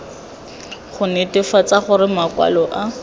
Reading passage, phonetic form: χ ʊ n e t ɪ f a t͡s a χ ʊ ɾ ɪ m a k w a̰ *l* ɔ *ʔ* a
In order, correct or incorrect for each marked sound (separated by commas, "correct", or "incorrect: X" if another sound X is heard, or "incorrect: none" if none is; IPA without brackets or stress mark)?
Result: correct, correct